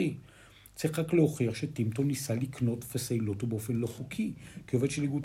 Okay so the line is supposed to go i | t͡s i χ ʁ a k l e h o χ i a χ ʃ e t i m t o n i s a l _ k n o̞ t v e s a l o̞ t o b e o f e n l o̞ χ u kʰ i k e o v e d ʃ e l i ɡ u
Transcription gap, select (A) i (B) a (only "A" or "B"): A